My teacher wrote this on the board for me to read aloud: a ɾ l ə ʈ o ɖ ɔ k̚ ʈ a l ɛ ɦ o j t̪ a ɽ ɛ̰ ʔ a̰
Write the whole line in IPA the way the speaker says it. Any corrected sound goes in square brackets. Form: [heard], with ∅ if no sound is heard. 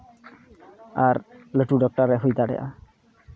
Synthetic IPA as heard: a ɾ l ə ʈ [u] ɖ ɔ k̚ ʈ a [ɾ] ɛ ɦ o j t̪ a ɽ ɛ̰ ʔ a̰